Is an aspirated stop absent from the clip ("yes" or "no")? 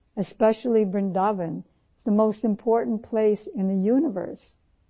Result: no